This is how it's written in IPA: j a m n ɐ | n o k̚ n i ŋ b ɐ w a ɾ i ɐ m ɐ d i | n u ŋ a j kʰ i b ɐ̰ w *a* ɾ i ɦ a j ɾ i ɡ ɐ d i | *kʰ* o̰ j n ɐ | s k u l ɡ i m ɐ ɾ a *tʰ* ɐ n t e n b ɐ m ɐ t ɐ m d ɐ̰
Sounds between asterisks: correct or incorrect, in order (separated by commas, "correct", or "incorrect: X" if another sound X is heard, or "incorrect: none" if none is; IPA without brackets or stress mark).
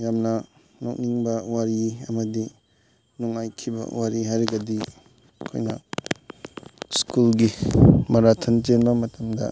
correct, correct, correct